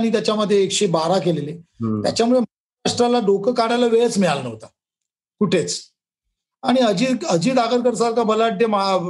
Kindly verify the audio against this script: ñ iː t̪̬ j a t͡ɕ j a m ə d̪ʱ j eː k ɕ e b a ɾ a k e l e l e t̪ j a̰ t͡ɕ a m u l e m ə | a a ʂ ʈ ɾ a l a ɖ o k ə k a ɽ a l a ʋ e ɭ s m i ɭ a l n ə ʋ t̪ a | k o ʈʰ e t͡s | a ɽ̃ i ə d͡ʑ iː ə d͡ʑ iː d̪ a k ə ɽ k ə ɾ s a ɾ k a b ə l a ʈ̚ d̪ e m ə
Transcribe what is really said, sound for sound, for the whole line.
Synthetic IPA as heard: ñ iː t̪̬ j a t͡ɕ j a m ə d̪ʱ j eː k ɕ e b a ɾ a k e l e l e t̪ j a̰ t͡ɕ a m u ɭ e m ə | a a ʂ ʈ ɾ a l a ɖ o k ə k a ɽ a l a ʋ e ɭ t͡s m i ɭ a l n ə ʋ t̪ a | k u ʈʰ e t͡s | a ɽ̃ i ə d͡ʑ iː ə d͡ʑ iː d̪ a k ə ɾ k ə ɾ s a ɾ k a b ə l a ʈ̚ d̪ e m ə